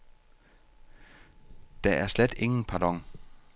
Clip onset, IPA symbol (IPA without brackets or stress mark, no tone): d̥